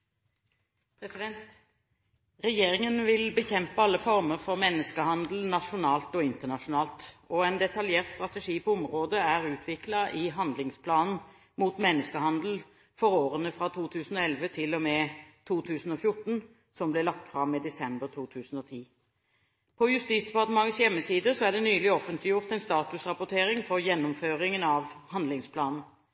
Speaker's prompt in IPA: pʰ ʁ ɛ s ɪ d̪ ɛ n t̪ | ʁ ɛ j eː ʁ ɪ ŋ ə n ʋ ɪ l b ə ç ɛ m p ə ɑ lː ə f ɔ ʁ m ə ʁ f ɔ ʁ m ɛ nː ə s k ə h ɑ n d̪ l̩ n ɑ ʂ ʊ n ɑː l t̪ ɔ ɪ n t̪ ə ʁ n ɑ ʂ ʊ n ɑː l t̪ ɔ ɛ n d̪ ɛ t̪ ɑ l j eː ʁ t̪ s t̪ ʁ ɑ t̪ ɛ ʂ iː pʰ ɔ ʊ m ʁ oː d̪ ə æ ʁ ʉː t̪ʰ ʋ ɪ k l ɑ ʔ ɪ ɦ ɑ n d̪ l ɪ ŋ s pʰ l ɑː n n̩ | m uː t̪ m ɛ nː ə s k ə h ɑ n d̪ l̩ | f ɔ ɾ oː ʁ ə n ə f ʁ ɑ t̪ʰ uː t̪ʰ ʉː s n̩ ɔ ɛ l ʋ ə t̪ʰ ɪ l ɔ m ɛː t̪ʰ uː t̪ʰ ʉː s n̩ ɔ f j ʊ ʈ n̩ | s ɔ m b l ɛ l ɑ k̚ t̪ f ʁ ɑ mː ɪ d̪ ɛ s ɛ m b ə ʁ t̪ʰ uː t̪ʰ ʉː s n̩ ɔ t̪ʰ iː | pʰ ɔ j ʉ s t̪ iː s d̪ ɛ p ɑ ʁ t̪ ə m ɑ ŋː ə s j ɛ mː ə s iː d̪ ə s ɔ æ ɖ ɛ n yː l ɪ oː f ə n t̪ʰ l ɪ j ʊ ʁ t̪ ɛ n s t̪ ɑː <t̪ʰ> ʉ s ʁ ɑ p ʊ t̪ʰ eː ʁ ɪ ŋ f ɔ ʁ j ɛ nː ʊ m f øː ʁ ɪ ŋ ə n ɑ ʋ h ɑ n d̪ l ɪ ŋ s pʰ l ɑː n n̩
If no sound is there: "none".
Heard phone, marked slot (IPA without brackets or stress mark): t̪